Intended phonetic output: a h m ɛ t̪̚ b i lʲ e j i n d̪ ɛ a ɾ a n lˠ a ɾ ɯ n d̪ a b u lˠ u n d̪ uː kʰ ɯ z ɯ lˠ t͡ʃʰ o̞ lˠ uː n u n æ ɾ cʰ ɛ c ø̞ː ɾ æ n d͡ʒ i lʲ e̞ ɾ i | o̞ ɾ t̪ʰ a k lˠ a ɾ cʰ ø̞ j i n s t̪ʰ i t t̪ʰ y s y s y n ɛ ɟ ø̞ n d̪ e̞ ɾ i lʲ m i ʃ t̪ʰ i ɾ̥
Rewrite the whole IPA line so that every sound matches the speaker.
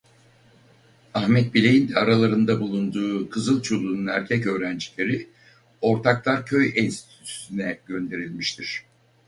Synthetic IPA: a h m ɛ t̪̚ b i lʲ e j i n d̪ ɛ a ɾ a lˠ a ɾ ɯ n d̪ a b u lˠ u n d̪ uː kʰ ɯ z ɯ lˠ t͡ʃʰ o̞ lˠ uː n u n æ ɾ cʰ ɛ c ø̞ː ɾ æ n d͡ʒ i lʲ e̞ ɾ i | o̞ ɾ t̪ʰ a k lˠ a ɾ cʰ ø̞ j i n s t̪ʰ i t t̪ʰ y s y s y n ɛ ɟ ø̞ n d̪ e̞ ɾ i lʲ m i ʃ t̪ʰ i ɾ̥